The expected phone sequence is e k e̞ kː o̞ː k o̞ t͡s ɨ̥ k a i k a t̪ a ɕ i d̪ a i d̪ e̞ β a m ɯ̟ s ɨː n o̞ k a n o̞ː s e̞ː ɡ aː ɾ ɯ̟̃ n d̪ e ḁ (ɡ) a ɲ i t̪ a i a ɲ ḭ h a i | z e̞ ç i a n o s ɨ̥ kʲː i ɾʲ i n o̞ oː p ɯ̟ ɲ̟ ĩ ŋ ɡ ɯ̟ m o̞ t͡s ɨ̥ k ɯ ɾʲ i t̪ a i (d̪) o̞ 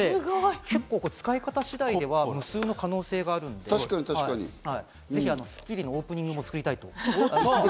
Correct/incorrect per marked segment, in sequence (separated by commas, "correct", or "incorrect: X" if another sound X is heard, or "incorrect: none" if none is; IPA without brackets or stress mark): incorrect: k, incorrect: t̪